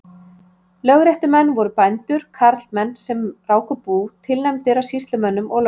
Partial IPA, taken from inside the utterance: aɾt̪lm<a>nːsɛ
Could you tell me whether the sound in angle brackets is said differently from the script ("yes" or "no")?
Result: yes